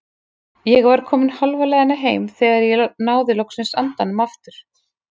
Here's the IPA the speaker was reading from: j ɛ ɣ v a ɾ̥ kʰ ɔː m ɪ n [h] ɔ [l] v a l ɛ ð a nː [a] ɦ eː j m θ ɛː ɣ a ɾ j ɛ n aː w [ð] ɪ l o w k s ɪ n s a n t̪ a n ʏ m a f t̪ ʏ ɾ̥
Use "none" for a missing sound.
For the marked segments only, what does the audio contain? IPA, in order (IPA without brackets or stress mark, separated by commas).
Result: h, l, a, ð